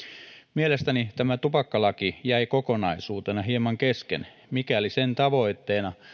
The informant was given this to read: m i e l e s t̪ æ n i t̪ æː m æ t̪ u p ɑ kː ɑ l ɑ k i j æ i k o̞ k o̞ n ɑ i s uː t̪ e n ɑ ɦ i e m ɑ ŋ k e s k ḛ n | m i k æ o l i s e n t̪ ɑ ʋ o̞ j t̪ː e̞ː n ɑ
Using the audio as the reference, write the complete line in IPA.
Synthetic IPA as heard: m i e l e s t̪ æ n i t̪ æ m æ t̪ u p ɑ kː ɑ l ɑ k i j æ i k o̞ k o̞ n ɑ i s uː t̪ e n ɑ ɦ i e m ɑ ŋ k e s k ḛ n | m i k æ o l i s e n t̪ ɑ ʋ o̞ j t̪ː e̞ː n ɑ